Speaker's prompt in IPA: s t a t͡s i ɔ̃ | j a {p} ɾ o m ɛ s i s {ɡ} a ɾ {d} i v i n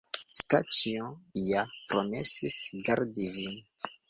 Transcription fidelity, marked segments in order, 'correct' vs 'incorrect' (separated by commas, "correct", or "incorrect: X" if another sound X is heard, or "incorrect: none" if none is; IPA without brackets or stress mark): correct, correct, correct